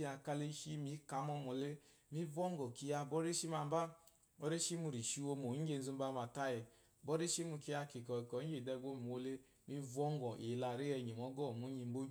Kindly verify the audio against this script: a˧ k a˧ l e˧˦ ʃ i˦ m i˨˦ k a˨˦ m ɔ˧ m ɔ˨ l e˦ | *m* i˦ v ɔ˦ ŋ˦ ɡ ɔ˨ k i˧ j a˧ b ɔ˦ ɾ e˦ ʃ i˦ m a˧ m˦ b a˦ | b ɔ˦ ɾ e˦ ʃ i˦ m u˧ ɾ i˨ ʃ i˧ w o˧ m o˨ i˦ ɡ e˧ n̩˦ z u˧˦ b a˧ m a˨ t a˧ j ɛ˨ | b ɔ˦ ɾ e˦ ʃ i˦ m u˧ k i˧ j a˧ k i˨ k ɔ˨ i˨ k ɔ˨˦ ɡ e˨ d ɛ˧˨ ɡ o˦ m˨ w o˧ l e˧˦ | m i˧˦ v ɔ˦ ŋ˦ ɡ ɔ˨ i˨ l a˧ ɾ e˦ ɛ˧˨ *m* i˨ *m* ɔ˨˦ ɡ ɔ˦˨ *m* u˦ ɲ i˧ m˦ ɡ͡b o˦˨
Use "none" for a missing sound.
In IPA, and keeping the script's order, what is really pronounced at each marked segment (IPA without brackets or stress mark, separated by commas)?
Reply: m, ɲ, m, m